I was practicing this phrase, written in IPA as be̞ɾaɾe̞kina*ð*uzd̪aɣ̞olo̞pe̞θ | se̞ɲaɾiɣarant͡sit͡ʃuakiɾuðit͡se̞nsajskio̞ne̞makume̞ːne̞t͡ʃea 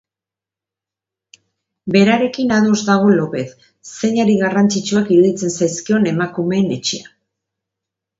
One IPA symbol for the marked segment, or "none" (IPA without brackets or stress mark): ð